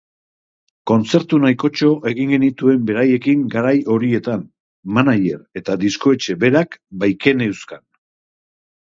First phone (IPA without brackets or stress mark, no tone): k